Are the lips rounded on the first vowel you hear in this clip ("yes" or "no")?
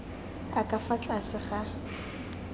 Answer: no